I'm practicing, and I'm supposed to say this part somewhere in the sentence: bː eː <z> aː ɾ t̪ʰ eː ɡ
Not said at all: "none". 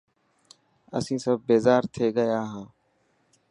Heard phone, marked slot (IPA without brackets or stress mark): z